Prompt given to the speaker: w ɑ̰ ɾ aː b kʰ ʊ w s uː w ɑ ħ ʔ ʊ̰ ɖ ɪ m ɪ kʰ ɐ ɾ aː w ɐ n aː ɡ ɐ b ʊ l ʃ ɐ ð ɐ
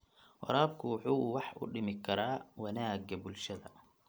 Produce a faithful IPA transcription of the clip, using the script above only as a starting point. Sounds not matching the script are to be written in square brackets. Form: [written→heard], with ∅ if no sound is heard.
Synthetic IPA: w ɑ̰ ɾ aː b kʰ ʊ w [s→ħ] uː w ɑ ħ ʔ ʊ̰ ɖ ɪ m ɪ kʰ ɐ ɾ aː w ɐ n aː ɡ ɐ b ʊ l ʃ ɐ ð ɐ